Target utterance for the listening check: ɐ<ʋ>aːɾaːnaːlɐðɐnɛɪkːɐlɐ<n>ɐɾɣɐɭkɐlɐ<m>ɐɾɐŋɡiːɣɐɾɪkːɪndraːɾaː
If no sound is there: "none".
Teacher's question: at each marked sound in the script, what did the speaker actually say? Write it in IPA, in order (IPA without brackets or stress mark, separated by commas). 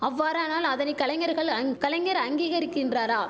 ʋː, ŋ, ŋ